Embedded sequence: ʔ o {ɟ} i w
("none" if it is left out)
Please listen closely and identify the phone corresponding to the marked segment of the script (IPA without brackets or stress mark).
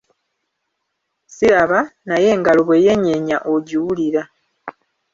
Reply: ɟ